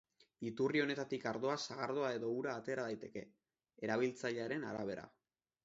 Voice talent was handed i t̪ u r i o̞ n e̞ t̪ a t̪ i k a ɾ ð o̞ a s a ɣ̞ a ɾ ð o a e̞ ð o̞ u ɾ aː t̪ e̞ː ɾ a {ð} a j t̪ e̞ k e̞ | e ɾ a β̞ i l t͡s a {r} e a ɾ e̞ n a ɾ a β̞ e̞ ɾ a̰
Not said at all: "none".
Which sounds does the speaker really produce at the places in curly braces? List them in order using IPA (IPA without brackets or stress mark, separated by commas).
ð, ʎ